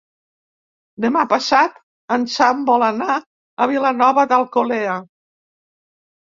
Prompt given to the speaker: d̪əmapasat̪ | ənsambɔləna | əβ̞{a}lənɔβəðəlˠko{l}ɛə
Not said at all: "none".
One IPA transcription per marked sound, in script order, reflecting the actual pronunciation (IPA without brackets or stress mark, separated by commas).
i, l